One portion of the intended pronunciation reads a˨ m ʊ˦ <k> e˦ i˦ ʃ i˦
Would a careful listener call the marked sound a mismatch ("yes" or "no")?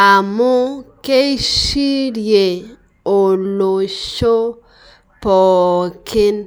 no